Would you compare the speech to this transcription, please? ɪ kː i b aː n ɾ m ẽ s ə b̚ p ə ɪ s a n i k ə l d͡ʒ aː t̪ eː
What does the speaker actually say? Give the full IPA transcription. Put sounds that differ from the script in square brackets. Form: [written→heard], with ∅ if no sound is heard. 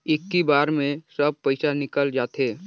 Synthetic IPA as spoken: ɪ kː i b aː [n→∅] ɾ m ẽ s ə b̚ p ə ɪ s a n [i→ɪ] k ə l d͡ʒ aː t̪ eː